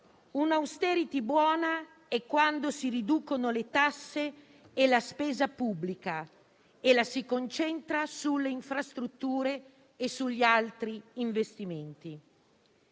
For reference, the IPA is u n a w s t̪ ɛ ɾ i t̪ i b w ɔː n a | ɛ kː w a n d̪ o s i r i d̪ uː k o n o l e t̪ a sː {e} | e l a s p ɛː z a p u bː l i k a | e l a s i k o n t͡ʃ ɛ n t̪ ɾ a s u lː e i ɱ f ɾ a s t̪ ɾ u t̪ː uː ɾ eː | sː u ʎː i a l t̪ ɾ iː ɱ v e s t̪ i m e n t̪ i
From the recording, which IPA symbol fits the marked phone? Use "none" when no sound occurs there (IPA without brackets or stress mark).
e